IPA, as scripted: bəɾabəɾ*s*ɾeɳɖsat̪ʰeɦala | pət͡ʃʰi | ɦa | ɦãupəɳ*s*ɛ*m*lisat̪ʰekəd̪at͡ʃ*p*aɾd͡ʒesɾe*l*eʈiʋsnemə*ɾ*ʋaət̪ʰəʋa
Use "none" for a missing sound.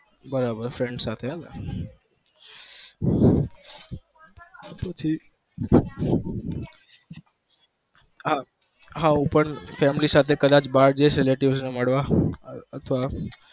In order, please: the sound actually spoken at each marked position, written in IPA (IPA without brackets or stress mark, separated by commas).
f, f, m, b, l, ɽ